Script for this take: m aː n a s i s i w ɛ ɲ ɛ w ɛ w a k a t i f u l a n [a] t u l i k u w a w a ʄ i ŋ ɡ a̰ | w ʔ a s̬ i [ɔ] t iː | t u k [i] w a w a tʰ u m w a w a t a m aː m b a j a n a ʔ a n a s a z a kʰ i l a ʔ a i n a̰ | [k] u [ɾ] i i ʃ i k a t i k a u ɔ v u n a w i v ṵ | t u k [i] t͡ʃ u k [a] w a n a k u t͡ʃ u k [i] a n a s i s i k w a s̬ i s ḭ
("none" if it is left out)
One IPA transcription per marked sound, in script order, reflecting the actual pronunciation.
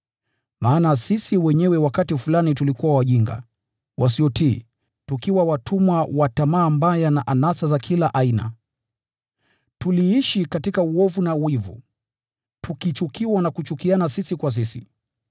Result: i, ɔ, i, t, l, i, i, i

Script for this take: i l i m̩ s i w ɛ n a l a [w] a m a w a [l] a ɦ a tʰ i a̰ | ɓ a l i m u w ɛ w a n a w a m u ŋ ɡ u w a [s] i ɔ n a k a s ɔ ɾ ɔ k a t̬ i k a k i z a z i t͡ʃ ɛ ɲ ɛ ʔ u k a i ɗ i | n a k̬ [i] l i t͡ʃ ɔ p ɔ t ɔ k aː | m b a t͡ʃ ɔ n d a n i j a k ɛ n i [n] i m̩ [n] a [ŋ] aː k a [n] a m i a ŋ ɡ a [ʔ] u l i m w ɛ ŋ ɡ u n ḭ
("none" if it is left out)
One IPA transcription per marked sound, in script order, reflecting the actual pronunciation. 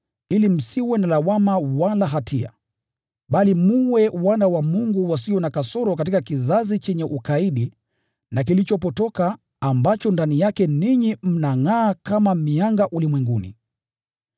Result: w, l, s, i, ɲ, n, ŋ, m, ʔ

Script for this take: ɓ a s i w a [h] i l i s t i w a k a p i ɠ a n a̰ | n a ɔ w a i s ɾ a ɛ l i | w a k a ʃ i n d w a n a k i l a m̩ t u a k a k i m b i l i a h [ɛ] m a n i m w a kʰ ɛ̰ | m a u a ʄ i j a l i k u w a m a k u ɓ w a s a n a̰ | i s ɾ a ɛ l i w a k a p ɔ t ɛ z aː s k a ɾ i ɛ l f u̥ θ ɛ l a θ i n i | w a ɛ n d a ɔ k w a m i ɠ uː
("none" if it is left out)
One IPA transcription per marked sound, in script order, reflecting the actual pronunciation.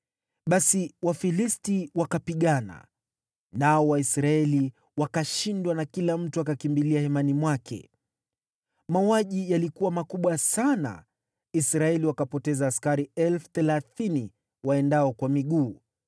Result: f, ɛ

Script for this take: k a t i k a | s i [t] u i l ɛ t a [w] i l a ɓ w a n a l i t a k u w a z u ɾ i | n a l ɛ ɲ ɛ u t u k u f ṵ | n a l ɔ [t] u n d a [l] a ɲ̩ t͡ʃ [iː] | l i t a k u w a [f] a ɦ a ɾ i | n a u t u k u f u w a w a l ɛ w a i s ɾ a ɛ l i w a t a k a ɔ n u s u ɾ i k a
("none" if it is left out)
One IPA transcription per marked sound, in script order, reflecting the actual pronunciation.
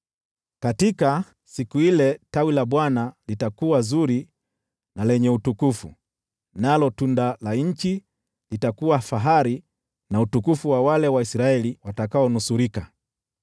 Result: k, w, t, l, i, f

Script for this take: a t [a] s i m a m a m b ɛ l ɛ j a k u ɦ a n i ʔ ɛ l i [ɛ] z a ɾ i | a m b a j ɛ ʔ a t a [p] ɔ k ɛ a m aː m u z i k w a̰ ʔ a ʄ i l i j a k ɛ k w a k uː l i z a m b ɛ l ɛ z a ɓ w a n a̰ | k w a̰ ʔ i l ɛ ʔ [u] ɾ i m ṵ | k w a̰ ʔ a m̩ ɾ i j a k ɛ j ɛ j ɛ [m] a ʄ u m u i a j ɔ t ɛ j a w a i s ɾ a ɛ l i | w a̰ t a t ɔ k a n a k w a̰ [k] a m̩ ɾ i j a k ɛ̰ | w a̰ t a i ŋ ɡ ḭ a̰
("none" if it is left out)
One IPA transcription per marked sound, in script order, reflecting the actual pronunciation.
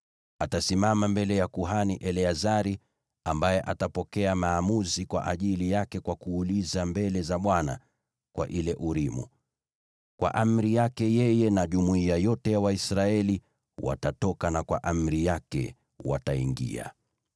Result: a, a, p, u, n, ʔ

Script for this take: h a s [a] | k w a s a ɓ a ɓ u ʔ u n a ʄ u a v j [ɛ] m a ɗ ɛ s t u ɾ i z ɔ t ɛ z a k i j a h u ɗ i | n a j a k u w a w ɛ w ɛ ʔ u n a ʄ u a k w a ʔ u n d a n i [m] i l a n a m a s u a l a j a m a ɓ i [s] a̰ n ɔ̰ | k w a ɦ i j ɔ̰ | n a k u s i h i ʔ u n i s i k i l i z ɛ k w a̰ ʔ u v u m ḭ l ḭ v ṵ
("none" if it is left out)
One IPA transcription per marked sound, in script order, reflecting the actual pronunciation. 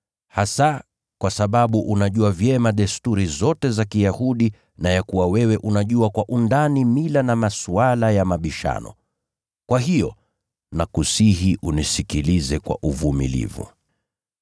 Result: a, ɛ, m, ʃ

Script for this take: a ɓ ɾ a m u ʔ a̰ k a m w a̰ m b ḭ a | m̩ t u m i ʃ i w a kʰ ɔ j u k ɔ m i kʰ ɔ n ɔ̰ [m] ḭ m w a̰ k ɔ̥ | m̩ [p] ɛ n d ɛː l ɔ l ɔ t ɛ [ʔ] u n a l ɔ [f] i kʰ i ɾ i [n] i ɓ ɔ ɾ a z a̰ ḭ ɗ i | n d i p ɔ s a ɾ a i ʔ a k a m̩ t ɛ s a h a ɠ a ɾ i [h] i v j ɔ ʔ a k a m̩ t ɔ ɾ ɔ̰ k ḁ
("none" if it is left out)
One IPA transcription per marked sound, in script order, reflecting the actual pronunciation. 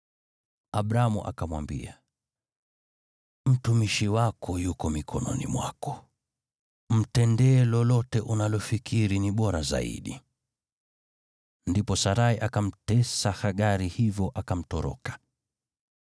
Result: n, t, ʔ, f, n, h

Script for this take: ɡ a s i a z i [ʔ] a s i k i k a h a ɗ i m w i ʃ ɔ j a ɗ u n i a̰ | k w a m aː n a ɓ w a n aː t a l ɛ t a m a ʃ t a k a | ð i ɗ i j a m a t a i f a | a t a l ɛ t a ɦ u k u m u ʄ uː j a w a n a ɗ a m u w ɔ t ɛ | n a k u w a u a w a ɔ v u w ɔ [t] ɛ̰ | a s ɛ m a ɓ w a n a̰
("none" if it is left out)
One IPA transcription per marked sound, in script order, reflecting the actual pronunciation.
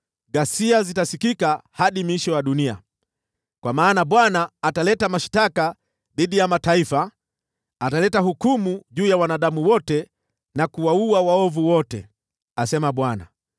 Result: t, t

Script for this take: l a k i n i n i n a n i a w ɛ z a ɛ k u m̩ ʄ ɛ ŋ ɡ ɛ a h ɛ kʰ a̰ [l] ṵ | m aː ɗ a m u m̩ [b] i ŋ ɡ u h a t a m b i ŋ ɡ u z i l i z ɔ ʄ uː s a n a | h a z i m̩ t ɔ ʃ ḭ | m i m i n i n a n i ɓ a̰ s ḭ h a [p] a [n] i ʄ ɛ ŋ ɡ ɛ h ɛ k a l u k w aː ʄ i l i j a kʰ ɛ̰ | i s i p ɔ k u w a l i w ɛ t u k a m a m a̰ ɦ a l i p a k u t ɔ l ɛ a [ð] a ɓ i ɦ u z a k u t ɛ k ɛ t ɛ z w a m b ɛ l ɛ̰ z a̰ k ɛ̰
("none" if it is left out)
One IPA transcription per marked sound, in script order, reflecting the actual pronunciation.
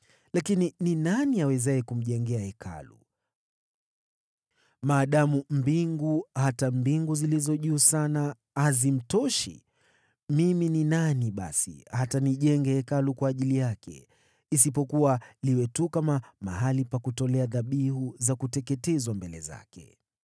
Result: l, b, t, n, ð

